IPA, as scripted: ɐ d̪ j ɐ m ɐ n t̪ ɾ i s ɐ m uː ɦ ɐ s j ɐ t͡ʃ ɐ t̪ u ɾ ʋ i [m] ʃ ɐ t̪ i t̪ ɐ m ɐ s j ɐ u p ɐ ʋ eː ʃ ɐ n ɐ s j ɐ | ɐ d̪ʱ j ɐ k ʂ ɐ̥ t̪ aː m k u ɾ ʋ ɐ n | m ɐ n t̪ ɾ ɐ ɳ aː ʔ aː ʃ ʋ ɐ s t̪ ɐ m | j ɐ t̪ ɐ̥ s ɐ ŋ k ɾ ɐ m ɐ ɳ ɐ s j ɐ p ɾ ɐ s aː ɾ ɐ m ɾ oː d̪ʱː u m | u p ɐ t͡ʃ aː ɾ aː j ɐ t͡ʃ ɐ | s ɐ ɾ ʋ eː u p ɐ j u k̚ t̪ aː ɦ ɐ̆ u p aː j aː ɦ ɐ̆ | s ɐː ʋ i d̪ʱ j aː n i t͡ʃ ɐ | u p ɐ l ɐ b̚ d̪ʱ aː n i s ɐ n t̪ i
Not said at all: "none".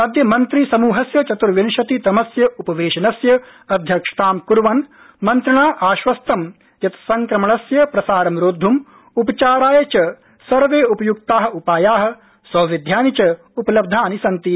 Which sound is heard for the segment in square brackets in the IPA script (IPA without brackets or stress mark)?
n